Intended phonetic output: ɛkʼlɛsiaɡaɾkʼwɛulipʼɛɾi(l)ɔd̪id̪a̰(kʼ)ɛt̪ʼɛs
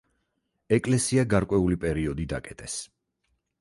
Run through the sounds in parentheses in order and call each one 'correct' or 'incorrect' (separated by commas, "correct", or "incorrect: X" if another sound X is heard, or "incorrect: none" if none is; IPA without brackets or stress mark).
incorrect: none, correct